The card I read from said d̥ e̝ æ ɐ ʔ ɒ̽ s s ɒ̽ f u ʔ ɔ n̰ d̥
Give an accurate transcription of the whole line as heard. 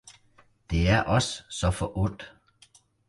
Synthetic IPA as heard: d̥ e̝ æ ɐ ʔ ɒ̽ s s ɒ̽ f ɒ ʔ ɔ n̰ d̥

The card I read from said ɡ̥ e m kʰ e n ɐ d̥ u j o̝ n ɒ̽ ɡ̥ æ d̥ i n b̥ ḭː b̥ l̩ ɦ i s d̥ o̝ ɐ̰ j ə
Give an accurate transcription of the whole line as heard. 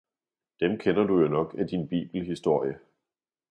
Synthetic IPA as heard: d̥ e m kʰ e n ɐ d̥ u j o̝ n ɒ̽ ɡ̥ æ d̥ i n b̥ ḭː b̥ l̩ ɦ i s d̥ o̝ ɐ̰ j ə

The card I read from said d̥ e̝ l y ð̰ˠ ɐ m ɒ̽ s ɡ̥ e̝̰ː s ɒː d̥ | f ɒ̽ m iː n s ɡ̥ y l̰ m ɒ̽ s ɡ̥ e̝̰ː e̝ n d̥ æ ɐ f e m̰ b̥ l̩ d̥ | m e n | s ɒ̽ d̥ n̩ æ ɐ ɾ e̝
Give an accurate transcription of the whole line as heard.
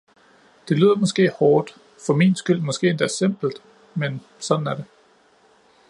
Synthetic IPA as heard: d̥ e̝ l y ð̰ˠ ɐ m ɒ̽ s ɡ̥ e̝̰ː h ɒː d̥ | f ɒ̽ m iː n s ɡ̥ y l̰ m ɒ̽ s ɡ̥ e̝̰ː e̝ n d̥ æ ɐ s e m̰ b̥ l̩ d̥ | m e n | s ɒ̽ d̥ n̩ æ ɐ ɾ e̝

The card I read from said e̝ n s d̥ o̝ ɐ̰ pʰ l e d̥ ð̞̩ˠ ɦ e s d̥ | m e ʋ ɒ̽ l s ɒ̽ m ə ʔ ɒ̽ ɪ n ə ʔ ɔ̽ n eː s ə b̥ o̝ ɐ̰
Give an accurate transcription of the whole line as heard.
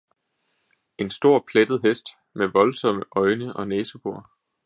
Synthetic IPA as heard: e̝ n s d̥ o̝ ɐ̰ pʰ l e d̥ ð̞̩ˠ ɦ e s d̥ | m e ʋ ɒ̽ l s ɒ̽ m ə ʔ ɒ̽ ɪ n ə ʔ ɒ̽ n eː s ə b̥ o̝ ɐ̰

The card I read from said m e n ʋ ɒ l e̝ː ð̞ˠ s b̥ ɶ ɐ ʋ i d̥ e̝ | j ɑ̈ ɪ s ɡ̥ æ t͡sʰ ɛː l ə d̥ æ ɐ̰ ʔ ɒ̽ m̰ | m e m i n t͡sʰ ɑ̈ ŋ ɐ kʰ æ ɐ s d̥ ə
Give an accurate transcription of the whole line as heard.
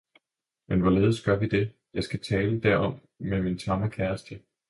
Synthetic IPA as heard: m e n ʋ ɒ l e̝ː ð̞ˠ s ɡ̥ ɶ ɐ ʋ i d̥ e̝ | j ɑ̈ ɪ s ɡ̥ æ t͡sʰ ɛː l ə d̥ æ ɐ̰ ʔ ɒ̽ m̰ | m e m i n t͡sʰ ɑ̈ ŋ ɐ kʰ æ ɐ s d̥ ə

